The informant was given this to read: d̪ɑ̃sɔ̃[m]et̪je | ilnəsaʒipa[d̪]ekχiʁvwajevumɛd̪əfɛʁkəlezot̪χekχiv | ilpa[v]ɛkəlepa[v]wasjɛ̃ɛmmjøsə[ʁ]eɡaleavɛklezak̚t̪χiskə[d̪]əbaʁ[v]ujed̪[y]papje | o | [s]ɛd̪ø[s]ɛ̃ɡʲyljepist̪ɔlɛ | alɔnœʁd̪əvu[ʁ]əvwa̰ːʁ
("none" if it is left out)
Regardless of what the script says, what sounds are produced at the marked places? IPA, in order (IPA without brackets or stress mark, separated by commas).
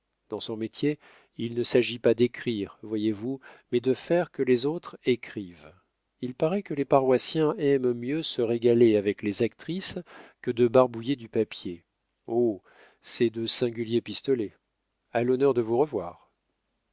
m, d̪, ʁ, ʁ, ʁ, d̪, b, y, s, s, ʁ